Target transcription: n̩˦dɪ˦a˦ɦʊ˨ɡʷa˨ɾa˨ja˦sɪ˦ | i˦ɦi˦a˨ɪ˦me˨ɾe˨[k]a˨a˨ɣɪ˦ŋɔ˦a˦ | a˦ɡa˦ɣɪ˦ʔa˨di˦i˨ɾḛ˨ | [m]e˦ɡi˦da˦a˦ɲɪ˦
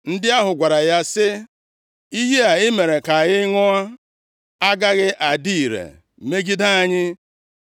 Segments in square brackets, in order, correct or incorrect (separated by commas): correct, correct